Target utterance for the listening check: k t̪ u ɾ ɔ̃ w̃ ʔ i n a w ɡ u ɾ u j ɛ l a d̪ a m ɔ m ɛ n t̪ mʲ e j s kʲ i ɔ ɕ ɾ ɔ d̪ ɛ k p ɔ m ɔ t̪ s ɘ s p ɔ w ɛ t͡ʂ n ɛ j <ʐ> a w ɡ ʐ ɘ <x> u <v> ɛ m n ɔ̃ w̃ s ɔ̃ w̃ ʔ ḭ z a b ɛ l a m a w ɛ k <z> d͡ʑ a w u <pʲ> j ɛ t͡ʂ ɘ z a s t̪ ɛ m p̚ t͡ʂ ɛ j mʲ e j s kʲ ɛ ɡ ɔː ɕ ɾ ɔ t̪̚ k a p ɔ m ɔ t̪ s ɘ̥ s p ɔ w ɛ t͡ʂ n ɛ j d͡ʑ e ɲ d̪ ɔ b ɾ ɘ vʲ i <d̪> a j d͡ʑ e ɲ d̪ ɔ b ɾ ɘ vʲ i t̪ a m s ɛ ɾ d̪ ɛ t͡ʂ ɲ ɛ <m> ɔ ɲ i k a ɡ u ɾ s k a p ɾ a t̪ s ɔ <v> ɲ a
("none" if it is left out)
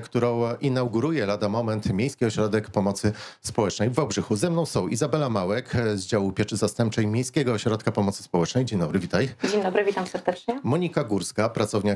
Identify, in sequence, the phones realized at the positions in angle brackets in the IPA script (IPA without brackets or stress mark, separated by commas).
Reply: v, x, z, z, pʲ, t̪, m, v